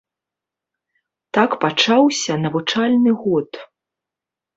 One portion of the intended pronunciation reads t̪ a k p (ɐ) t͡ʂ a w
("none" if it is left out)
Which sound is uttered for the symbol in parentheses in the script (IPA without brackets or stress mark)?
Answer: a